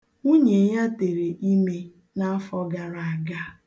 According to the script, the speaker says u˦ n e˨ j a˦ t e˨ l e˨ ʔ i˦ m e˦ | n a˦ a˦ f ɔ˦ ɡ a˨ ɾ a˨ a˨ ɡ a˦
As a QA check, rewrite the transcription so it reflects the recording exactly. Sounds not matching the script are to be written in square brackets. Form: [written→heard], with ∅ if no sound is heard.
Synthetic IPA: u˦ [n→ɲ] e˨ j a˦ t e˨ [l→ɾ] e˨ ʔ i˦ m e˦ | n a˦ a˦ f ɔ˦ ɡ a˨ ɾ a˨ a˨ ɡ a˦